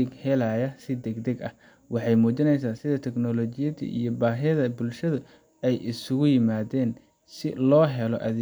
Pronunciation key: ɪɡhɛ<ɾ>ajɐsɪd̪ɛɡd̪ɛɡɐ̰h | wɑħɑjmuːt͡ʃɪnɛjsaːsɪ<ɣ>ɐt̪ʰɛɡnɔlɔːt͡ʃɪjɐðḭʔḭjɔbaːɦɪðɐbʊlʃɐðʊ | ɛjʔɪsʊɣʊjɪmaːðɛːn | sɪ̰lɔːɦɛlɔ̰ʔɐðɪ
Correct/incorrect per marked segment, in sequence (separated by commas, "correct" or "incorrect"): incorrect, incorrect